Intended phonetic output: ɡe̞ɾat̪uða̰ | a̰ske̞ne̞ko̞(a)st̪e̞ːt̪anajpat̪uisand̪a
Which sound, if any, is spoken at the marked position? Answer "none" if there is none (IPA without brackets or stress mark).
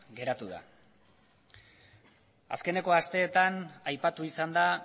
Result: a